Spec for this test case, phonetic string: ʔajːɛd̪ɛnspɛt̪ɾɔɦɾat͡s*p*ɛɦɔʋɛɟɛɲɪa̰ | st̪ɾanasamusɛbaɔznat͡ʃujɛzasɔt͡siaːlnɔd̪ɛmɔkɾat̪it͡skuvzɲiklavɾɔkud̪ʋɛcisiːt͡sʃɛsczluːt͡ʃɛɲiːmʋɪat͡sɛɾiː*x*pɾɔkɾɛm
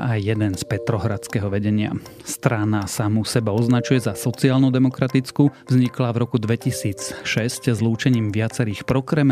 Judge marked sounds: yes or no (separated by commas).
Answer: no, yes